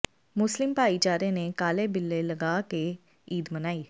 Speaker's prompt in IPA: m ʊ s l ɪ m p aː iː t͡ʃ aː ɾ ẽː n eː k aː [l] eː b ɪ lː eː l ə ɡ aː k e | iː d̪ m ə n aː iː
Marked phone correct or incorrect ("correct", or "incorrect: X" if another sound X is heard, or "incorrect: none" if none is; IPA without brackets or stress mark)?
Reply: correct